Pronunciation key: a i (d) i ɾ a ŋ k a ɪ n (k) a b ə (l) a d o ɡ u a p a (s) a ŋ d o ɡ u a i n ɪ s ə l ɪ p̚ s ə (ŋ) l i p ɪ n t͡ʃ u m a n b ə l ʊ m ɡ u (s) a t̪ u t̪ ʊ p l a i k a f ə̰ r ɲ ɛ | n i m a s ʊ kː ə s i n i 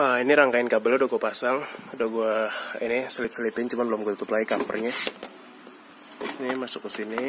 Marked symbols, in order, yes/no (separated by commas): no, yes, yes, yes, no, no